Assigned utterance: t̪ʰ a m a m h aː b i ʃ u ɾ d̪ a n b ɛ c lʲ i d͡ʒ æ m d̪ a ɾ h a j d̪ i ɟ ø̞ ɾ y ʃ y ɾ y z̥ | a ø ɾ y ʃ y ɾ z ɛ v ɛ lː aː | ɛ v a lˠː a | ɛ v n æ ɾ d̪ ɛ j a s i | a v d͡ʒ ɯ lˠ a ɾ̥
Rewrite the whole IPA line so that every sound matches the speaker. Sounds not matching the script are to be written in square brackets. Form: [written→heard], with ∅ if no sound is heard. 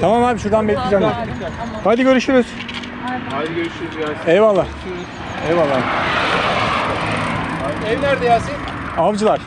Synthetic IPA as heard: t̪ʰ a m a m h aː b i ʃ u ɾ d̪ a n b ɛ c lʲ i d͡ʒ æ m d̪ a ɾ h a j d̪ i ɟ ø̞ ɾ y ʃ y ɾ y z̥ | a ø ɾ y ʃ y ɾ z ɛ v [ɛ→a] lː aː | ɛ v a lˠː a | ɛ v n æ ɾ d̪ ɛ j a s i | a v d͡ʒ ɯ lˠ a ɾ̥

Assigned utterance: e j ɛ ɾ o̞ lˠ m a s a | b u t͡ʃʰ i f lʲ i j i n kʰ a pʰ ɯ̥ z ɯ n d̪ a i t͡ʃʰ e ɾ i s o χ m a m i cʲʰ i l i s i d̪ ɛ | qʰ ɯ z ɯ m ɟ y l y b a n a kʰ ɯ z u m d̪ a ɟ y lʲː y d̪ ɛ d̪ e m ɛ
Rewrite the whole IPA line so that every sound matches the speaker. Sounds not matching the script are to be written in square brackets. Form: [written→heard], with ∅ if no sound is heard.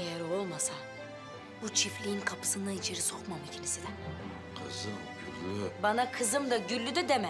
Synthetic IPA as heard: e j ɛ ɾ o̞ lˠ m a s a | b u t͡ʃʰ i f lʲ i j i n kʰ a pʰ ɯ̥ [z→s] ɯ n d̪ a i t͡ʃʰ e ɾ i s o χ m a m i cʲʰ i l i s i d̪ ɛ | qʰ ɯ z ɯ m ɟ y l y b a n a kʰ ɯ z [u→ɯ] m d̪ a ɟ y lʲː y d̪ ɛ d̪ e m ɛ

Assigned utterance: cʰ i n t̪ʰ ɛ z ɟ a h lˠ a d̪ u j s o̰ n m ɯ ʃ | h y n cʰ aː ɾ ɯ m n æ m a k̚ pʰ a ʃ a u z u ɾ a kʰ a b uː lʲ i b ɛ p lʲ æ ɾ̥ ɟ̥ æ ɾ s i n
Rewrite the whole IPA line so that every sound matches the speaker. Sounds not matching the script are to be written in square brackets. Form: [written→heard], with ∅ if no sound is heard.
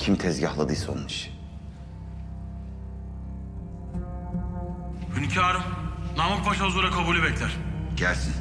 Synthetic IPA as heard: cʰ i [n→m] t̪ʰ ɛ z ɟ a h lˠ a d̪ [u→ɯ] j s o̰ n m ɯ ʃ | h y n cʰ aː ɾ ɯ m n [æ→a] m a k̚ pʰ a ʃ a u z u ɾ a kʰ a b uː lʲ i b ɛ [p→c] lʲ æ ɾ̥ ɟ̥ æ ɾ s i n

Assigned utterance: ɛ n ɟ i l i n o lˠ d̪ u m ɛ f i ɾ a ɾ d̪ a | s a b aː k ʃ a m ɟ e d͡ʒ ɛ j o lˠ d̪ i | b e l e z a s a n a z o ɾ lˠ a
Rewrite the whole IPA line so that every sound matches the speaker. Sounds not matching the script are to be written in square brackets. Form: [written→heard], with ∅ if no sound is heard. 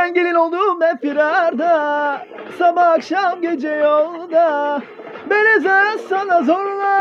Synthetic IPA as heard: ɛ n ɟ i l i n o lˠ d̪ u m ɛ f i ɾ a ɾ d̪ a | s a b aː k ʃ a m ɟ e d͡ʒ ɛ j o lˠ d̪ [i→a] | b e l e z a s a n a z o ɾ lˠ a

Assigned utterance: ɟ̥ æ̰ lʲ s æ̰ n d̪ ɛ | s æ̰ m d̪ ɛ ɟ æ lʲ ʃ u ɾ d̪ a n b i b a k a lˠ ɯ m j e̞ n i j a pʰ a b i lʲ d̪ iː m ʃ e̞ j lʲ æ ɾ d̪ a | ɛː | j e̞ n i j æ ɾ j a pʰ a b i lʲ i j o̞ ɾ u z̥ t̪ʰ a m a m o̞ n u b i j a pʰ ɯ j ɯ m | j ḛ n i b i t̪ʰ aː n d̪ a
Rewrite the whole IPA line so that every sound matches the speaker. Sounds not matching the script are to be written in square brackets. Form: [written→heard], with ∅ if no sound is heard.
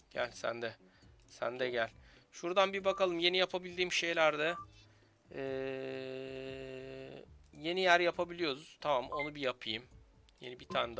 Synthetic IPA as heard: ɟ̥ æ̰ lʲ s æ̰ n d̪ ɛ | s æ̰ [m→n] d̪ ɛ ɟ æ lʲ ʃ u ɾ d̪ a n b i b a k a lˠ ɯ m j e̞ n i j a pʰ a b i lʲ d̪ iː m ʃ e̞ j lʲ æ ɾ d̪ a | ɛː | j e̞ n i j æ ɾ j a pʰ a b i lʲ i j o̞ ɾ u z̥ t̪ʰ a m a m o̞ n u b i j a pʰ ɯ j ɯ m | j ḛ n i b i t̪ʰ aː n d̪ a

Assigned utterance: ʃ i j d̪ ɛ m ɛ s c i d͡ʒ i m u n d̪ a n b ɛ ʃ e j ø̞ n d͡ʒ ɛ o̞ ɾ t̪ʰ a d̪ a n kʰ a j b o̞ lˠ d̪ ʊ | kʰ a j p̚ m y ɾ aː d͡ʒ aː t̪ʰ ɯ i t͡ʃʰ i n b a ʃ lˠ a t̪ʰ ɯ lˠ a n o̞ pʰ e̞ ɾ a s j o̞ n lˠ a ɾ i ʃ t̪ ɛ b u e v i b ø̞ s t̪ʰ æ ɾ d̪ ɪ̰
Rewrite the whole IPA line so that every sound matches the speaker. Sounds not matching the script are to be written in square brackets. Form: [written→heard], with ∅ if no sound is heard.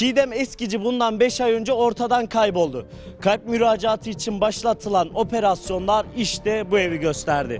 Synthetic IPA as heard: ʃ i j d̪ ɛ m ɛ s c i d͡ʒ i [m→b] u n d̪ a n b ɛ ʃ [e→a] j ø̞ n d͡ʒ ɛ o̞ ɾ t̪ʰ a d̪ a n kʰ a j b o̞ lˠ d̪ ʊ | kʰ a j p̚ m y ɾ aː d͡ʒ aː t̪ʰ ɯ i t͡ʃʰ i n b a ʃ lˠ a t̪ʰ ɯ lˠ a n o̞ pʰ e̞ ɾ a s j o̞ n lˠ a ɾ i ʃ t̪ ɛ b u e v i [b→ɟ] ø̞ s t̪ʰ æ ɾ d̪ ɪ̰

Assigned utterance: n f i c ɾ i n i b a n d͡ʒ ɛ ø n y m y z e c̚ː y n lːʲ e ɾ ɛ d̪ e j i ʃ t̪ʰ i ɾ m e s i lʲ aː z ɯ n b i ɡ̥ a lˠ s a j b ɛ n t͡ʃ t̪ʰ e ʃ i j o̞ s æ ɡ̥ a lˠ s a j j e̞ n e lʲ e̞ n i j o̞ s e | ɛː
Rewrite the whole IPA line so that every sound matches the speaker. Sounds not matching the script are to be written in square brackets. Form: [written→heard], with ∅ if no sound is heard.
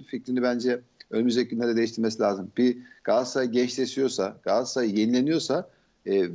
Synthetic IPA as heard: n f i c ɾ i n i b [a→æ] n d͡ʒ ɛ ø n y m y z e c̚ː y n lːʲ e ɾ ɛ d̪ e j i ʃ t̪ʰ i ɾ m e s i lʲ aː z ɯ [n→m] b i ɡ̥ a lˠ s a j [b→ɟ] ɛ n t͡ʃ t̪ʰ e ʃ i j o̞ s [æ→a] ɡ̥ a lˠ s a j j e̞ n [e→i] lʲ e̞ n i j o̞ s [e→a] | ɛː

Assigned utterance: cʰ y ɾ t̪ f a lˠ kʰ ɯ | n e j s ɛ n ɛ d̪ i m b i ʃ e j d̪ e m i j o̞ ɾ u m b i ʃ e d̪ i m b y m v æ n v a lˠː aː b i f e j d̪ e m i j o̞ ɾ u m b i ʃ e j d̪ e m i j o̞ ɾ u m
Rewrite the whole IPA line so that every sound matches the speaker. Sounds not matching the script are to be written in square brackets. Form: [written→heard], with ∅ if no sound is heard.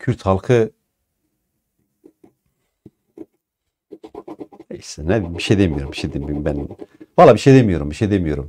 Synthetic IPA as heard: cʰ y ɾ t̪ [f→h] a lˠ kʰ ɯ | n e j s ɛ n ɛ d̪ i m b i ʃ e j d̪ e m i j o̞ ɾ u m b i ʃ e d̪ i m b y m [v→b] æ n v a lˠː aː b i [f→ʃ] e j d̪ e m i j o̞ ɾ u m b i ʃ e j d̪ e m i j o̞ ɾ u m

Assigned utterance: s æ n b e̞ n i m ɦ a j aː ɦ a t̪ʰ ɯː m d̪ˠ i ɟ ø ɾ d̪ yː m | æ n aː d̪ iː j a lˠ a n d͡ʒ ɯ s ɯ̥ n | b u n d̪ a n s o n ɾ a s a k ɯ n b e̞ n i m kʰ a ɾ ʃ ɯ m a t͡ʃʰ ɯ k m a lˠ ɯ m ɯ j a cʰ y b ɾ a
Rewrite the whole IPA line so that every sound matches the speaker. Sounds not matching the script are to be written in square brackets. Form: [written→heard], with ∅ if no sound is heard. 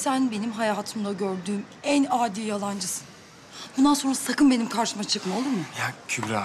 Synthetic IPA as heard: s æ n b e̞ n i m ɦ a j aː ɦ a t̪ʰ [ɯː→ɯ] m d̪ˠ [i→a] ɟ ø ɾ d̪ yː m | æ n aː d̪ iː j a lˠ a n d͡ʒ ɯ s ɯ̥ n | b u n d̪ a n s o n ɾ a s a k ɯ n b e̞ n i m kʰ a ɾ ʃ ɯ m a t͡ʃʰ ɯ k m a lˠ ɯ m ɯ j a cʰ y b ɾ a

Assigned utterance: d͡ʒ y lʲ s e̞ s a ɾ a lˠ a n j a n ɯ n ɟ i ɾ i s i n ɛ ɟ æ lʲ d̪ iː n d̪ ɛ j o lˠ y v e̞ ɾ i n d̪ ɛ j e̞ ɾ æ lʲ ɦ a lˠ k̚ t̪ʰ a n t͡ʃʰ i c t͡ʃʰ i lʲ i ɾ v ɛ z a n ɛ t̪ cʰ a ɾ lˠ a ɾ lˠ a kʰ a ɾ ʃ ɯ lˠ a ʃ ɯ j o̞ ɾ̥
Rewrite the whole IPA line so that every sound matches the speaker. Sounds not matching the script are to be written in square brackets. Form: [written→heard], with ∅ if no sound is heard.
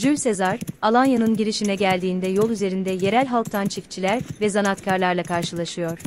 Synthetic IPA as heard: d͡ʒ y lʲ s e̞ [s→z] a ɾ a lˠ a n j a n ɯ n ɟ i ɾ i [s→ʃ] i n ɛ ɟ æ lʲ d̪ iː n d̪ ɛ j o lˠ y [v→z] e̞ ɾ i n d̪ ɛ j e̞ ɾ æ lʲ ɦ a lˠ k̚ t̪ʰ a n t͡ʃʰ i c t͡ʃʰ i lʲ [i→æ] ɾ v ɛ z a n [ɛ→a] t̪ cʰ a ɾ lˠ a ɾ lˠ a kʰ a ɾ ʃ ɯ lˠ a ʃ ɯ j o̞ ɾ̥

